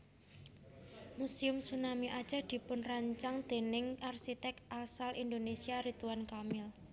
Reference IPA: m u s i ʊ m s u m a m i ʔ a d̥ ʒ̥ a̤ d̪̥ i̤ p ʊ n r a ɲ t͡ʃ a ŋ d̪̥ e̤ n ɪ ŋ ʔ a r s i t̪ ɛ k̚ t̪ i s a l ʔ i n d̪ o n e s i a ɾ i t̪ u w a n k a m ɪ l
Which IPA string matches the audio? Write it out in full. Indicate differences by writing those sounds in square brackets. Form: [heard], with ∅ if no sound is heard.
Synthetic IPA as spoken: m u s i ʊ m s u [n] a m i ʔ a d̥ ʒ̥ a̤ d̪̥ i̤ p ʊ n r a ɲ t͡ʃ a ŋ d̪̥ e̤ n ɪ ŋ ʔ a r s i t̪ ɛ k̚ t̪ [a] s a l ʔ i n d̪ o n e s i a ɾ i t̪ u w a n k a m ɪ l